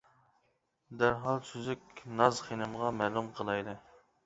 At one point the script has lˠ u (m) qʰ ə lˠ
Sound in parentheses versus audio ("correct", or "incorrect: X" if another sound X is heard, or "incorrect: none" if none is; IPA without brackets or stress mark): correct